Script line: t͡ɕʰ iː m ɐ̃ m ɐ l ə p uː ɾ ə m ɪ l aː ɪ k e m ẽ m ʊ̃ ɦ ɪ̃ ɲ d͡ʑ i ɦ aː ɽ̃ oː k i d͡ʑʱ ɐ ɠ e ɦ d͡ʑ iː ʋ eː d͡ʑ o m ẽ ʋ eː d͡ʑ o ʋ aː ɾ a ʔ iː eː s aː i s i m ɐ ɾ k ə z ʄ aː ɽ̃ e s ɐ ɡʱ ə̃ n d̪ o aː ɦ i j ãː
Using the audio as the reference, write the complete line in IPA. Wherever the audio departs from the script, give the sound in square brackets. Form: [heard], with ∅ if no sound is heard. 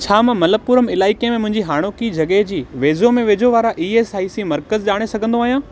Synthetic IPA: t͡ɕʰ [aː] m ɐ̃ m ɐ l ə p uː ɾ ə m ɪ l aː ɪ k e m ẽ m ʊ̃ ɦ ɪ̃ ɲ d͡ʑ i ɦ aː ɽ̃ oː k i d͡ʑʱ ɐ ɠ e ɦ d͡ʑ iː ʋ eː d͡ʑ o m ẽ ʋ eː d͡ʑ o ʋ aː ɾ a ʔ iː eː s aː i s i m ɐ ɾ k ə z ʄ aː ɽ̃ e s ɐ ɡʱ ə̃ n d̪ o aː ɦ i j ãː